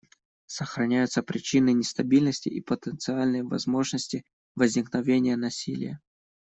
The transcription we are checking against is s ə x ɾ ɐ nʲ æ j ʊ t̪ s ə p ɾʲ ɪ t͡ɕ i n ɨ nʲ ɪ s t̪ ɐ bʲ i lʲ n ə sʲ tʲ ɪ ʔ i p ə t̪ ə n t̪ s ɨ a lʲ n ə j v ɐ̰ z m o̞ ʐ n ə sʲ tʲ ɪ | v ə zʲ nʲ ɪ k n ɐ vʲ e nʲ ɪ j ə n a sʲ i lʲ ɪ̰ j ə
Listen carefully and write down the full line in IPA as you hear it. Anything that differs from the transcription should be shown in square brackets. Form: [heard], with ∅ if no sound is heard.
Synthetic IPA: s ə x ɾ ɐ nʲ æ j ʊ t̪ s ə p ɾʲ ɪ t͡ɕ i n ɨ nʲ ɪ s t̪ ɐ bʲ i lʲ n ə sʲ tʲ ɪ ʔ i p ə t̪ ə n t̪ s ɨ a lʲ n ə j v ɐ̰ z m o̞ ʐ n ə sʲ tʲ ɪ | v ə zʲ nʲ ɪ k n ɐ vʲ e nʲ ɪ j ə n [ɐ] sʲ i lʲ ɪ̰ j ə